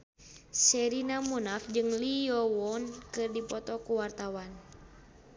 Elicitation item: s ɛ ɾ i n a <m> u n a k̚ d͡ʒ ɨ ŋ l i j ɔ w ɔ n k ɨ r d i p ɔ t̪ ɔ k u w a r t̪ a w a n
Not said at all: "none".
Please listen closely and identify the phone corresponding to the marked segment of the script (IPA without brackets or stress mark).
m